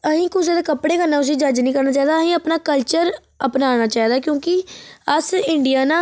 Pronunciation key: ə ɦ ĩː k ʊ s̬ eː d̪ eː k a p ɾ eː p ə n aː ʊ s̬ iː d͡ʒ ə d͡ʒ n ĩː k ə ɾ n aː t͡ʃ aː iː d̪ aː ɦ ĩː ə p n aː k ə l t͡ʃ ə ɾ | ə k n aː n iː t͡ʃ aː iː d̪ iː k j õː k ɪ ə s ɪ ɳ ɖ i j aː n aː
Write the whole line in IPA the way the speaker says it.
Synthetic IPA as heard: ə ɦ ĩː k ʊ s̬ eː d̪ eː k ə p ɽ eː k ə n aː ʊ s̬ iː d͡ʒ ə d͡ʒ n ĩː k ə ɾ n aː t͡ʃ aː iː d̪ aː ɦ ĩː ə p n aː k ə l t͡ʃ ə ɾ | ə p n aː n aː t͡ʃ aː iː d̪ aː k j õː k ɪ ə s ɪ ɳ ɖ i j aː n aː